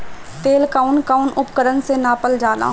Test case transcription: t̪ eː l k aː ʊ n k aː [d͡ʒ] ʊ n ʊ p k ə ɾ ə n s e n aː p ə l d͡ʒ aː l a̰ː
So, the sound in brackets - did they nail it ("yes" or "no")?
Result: no